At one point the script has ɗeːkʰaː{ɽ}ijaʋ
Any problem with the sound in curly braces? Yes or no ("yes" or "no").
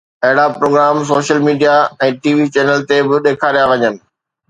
yes